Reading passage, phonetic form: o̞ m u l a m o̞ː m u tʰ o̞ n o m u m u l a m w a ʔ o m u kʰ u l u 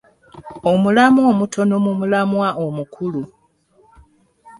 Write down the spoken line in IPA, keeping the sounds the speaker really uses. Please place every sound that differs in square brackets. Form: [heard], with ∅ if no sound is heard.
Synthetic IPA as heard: o̞ m u l a m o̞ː m u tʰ o̞ n o m u m u l a m w a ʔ o m u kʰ u l u